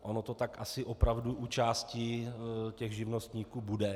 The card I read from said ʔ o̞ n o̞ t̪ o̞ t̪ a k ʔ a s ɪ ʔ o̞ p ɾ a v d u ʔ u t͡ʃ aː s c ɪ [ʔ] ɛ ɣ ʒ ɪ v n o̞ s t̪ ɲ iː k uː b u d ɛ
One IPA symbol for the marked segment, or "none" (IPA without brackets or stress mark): c